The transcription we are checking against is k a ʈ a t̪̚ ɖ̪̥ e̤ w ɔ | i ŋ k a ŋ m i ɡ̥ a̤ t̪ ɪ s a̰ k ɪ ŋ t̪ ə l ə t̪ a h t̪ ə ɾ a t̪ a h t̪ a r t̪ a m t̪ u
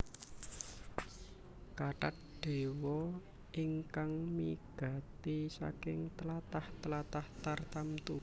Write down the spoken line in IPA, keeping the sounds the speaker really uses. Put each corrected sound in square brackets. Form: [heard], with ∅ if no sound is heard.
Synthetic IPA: k a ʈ a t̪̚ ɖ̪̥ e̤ w ɔ | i ŋ k a ŋ m i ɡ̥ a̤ t̪ [i] s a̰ k ɪ ŋ t̪ ə l [a] t̪ a h t̪ ə [l] a t̪ a h t̪ a r t̪ a m t̪ u